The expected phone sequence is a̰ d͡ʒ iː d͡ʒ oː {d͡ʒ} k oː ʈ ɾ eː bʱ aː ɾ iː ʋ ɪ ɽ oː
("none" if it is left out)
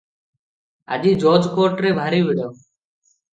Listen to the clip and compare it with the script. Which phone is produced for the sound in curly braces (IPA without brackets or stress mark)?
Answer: d͡ʒ